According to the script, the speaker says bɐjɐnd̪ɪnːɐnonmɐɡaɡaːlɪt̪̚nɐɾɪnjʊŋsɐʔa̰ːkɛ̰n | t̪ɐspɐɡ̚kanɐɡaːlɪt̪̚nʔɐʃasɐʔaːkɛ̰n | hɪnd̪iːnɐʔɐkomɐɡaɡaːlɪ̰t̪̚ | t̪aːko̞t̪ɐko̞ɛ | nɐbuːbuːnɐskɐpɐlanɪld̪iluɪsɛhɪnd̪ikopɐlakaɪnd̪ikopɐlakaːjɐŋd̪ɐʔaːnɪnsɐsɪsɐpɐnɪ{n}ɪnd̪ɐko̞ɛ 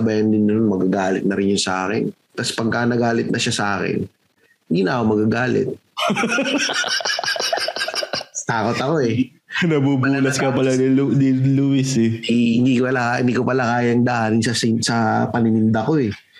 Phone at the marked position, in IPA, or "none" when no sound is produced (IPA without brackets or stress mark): n